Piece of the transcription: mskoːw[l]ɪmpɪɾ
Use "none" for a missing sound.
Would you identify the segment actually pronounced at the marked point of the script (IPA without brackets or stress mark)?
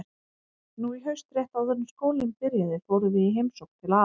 l